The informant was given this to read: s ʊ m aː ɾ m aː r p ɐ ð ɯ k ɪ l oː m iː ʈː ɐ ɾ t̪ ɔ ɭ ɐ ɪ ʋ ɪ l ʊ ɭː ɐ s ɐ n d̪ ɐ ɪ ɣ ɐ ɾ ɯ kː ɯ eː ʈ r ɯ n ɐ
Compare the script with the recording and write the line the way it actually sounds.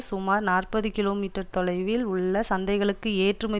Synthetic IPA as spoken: s ʊ m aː ɾ n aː r p ɐ ð ɯ k ɪ l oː m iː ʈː ɐ ɾ t̪ ɔ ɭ ɐ ɪ ʋ ɪ l ʊ ɭː ɐ s ɐ n d̪ ɐ ɪ ɣ ɐ ɭ ɯ kː ɯ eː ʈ r ɯ m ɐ